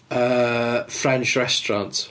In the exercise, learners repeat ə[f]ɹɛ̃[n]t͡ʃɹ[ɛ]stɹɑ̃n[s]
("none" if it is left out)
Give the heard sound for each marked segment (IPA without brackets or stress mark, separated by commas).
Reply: f, n, ɛ, t